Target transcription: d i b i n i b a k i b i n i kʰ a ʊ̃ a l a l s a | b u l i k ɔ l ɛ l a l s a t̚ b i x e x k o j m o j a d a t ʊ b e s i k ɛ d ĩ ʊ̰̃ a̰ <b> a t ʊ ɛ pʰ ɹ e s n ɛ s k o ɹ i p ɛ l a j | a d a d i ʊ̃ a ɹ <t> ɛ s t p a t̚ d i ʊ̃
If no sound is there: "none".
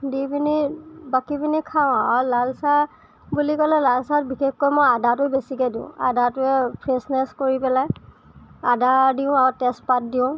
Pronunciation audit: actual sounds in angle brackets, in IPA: d, t

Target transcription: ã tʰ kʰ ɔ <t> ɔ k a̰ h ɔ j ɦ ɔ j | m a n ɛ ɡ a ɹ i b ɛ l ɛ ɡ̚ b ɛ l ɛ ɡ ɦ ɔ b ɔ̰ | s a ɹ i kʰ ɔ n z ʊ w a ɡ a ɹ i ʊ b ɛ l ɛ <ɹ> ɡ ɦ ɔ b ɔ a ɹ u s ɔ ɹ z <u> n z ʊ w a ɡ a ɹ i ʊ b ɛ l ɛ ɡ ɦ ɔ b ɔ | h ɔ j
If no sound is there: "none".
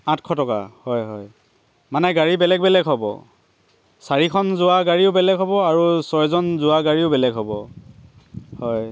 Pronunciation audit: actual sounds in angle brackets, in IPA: t, none, ɔ

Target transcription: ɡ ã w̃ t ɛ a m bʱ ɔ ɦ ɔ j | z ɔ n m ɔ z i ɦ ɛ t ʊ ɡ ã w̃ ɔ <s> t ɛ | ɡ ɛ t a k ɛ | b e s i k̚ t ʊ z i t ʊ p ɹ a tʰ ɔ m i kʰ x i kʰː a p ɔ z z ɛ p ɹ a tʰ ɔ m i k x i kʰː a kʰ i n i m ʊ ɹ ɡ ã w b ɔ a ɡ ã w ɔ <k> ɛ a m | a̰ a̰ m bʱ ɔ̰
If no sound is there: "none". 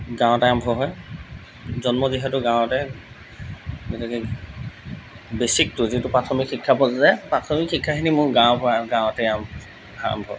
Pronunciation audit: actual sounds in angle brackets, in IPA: none, t

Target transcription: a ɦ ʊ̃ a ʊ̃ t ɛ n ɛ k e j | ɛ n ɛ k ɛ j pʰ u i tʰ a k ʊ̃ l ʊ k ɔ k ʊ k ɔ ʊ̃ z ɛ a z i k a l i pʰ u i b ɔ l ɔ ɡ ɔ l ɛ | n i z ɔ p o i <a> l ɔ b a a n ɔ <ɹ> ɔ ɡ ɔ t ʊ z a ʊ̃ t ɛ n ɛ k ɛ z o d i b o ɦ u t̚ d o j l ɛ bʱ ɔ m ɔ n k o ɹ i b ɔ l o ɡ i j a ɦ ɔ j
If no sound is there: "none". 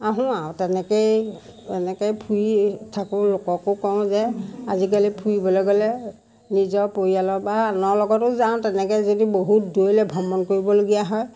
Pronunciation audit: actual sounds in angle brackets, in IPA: a, l

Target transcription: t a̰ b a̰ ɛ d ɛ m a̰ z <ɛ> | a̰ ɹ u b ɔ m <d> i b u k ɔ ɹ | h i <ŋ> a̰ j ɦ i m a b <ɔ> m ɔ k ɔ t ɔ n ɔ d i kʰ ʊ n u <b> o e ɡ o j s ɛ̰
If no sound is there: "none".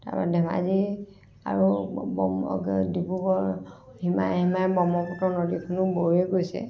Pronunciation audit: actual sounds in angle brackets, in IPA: i, d, m, ɔ, b

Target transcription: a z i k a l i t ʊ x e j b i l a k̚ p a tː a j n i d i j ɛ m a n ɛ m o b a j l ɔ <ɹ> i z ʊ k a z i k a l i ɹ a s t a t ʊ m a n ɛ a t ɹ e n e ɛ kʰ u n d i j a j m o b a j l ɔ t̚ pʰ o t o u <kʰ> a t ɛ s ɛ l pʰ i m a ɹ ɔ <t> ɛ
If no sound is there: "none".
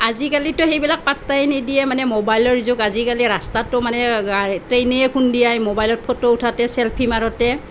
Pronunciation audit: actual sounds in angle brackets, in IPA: ɹ, tʰ, t

